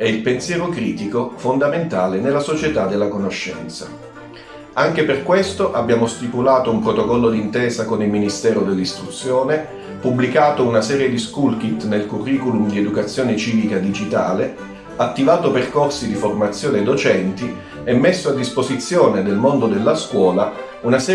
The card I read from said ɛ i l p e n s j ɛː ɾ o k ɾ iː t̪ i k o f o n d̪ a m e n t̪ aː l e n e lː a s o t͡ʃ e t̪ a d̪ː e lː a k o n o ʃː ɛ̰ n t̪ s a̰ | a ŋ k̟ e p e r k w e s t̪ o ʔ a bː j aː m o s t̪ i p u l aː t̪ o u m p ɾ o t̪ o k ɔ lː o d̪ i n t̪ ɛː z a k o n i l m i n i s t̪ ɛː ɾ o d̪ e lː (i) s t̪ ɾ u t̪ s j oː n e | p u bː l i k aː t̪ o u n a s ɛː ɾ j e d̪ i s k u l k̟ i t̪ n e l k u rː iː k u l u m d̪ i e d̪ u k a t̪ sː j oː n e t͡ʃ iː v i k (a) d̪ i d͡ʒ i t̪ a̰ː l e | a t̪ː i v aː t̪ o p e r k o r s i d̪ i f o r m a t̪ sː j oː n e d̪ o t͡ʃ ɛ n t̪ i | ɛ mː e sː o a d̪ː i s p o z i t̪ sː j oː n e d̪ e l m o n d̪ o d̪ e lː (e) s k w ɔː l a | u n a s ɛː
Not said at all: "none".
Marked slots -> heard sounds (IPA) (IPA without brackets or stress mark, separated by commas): i, a, a